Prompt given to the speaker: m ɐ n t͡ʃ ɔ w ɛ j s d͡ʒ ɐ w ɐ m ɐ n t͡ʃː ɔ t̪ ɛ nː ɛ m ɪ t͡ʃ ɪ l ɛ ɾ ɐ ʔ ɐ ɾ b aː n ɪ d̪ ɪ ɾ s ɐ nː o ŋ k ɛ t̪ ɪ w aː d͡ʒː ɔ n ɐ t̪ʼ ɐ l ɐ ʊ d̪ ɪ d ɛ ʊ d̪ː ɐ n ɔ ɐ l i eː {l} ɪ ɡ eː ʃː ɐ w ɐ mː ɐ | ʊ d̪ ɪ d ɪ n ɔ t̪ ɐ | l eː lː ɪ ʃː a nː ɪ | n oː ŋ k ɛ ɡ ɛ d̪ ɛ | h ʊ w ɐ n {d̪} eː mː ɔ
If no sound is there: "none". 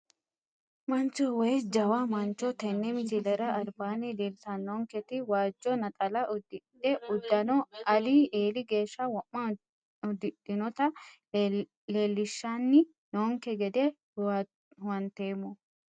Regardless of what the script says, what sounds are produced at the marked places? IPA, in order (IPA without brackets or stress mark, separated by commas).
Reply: l, t̪